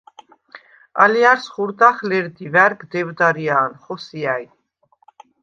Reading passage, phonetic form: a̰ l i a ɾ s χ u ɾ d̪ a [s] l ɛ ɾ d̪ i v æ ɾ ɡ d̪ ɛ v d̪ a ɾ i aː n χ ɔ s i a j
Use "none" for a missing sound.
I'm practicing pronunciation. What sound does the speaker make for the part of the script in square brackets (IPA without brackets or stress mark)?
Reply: χ